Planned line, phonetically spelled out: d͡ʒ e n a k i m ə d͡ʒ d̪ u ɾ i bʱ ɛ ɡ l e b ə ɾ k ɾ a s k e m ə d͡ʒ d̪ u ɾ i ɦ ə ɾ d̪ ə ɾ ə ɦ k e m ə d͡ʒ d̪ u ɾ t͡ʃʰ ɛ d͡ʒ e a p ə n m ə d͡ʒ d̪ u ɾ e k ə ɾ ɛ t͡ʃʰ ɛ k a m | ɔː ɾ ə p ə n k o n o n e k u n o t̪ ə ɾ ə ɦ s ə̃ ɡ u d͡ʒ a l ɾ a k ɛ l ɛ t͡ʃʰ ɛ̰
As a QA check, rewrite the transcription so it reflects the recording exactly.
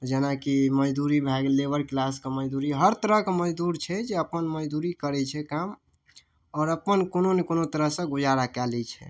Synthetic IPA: d͡ʒ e n a k i m ə d͡ʒ d̪ u ɾ i bʱ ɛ ɡ l e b ə ɾ k l a s k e m ə d͡ʒ d̪ u ɾ i ɦ ə ɾ t̪ ə ɾ ə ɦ k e m ə d͡ʒ d̪ u ɾ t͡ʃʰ ɛ d͡ʒ e ə p ə n m ə d͡ʒ d̪ u ɾ i k ə ɾ ɛ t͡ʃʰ ɛ k a m | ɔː ɾ ə p ə n k o n o n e k o n o t̪ ə ɾ ə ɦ s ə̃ ɡ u d͡ʒ a ɾ a k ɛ l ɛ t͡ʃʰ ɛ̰